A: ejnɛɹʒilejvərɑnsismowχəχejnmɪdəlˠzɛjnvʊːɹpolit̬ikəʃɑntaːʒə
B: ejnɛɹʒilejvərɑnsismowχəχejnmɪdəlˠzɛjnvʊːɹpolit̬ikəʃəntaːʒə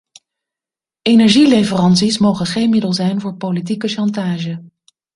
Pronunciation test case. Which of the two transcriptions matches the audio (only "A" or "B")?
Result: A